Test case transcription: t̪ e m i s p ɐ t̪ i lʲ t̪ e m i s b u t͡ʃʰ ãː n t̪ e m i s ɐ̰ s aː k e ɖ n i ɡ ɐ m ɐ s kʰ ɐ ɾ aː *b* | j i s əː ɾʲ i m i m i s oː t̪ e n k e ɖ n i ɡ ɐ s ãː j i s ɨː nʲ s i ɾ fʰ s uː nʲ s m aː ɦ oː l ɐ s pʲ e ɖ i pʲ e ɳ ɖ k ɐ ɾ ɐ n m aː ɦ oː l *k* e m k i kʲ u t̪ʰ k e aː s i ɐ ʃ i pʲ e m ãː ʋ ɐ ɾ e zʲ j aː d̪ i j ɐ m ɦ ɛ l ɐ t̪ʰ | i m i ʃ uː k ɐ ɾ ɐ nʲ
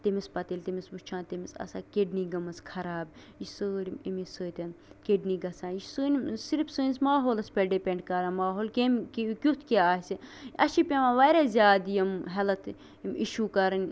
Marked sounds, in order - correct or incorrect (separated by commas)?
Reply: correct, correct